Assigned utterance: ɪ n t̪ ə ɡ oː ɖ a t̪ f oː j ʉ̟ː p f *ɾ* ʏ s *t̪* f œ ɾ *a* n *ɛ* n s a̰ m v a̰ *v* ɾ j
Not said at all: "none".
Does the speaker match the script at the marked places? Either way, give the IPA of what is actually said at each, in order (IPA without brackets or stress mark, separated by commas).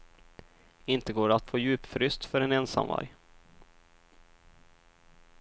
ɾ, t̪, ɛ, ɛ, none